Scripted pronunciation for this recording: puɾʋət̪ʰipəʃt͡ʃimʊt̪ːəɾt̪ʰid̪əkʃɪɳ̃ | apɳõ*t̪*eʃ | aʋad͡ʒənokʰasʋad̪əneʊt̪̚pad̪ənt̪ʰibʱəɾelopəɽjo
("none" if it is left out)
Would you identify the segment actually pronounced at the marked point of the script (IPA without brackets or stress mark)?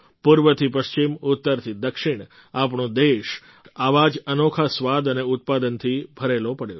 d̪